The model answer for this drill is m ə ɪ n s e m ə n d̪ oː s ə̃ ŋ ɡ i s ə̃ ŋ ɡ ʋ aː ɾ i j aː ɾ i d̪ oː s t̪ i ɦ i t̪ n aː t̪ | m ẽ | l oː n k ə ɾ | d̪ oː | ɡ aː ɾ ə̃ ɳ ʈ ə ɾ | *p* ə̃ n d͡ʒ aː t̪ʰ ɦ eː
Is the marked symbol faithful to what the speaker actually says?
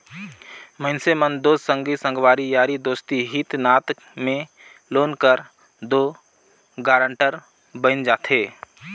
no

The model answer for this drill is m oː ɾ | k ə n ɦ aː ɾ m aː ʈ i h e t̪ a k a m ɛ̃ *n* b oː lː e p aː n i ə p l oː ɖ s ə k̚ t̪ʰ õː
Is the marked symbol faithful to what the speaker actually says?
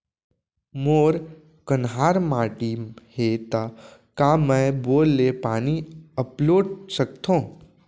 no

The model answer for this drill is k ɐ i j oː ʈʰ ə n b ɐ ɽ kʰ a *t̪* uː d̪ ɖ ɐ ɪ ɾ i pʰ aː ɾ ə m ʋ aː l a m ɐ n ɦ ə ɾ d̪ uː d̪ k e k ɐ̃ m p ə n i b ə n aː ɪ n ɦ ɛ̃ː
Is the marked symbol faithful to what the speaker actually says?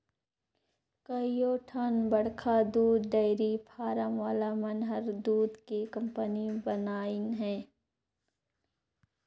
no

